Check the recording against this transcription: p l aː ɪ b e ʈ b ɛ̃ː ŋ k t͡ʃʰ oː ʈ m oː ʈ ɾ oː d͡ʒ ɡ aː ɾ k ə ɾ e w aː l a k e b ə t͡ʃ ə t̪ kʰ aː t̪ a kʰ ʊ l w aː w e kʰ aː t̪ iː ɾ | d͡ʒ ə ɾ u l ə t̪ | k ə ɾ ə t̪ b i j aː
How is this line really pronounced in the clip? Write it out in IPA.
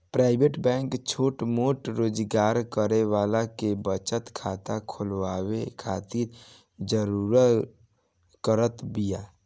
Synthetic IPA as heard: p ɾ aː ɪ b e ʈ b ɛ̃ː ŋ k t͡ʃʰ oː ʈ m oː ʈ ɾ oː d͡ʒ ɡ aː ɾ k ə ɾ e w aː l a k e b ə t͡ʃ ə t̪ kʰ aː t̪ a kʰ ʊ l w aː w e kʰ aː t̪ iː ɾ | d͡ʒ ə ɾ u ɾ ə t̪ | k ə ɾ ə t̪ b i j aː